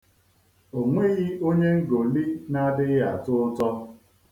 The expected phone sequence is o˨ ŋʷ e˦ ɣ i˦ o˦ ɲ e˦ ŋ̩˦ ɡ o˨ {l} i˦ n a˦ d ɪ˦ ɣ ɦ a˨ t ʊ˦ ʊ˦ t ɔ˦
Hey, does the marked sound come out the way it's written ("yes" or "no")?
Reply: yes